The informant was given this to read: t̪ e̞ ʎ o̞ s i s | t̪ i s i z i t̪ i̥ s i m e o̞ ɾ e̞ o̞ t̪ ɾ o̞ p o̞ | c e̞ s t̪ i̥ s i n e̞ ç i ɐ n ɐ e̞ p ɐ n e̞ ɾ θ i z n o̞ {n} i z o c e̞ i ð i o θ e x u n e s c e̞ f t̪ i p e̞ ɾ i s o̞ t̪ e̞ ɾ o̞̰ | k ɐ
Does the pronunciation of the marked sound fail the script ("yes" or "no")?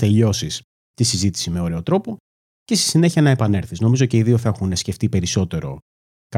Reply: yes